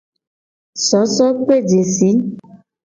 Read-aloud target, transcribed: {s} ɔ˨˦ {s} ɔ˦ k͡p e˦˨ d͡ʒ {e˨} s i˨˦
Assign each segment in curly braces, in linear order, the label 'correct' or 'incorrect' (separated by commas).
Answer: correct, correct, correct